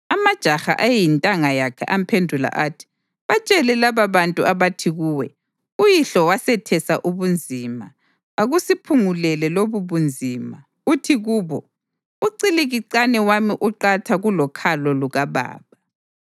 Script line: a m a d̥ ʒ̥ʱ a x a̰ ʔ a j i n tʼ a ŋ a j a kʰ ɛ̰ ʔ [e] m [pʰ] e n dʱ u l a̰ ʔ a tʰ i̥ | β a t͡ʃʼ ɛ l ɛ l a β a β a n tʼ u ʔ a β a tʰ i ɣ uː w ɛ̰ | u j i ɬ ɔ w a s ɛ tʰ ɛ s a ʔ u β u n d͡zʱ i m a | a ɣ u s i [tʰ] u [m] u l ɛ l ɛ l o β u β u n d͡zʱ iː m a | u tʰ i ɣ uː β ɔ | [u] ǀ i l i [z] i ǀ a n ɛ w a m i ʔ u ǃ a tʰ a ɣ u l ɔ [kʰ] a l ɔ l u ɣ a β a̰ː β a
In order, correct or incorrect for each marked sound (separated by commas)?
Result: incorrect, correct, incorrect, incorrect, correct, incorrect, correct